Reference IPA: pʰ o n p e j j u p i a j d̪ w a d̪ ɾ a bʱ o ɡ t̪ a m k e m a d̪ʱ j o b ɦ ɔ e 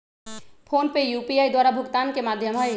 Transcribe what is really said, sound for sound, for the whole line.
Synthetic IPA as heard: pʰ o n p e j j u p i a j d̪ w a ɾ a bʱ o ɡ t̪ a n k e m a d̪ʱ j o m ɦ ɔ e